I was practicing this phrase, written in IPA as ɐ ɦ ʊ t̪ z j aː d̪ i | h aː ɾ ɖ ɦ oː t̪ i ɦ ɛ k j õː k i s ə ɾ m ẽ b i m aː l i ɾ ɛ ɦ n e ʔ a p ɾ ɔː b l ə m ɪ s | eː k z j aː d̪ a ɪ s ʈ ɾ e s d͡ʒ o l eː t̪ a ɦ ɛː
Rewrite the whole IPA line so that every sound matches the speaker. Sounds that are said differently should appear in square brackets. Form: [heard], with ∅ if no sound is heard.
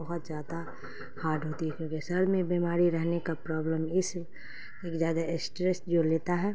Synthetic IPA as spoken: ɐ ɦ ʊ t̪ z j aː d̪ [a] | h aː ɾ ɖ ɦ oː t̪ i ɦ ɛ k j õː k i s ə ɾ m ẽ b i m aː [ɾ] i ɾ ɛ ɦ n e [k] a p ɾ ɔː b l ə m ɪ s | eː k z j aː d̪ a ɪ s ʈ ɾ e s d͡ʒ o l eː t̪ a ɦ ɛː